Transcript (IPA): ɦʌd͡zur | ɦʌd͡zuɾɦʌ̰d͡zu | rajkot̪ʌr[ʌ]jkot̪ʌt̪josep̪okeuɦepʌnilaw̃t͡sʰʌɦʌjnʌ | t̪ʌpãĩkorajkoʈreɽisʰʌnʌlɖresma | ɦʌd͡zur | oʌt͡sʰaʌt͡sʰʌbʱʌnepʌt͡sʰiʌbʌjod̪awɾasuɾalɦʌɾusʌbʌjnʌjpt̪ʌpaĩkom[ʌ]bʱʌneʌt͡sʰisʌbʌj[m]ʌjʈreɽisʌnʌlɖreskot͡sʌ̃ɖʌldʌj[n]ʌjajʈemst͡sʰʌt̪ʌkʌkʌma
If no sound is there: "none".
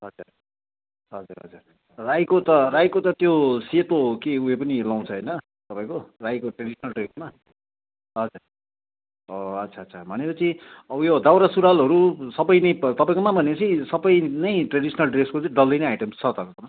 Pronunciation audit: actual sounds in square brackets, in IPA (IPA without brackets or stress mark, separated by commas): a, a, n, n